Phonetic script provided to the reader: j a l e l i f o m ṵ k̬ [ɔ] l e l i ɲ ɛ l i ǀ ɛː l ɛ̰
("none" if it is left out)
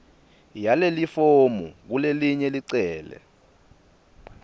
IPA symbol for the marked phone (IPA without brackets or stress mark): u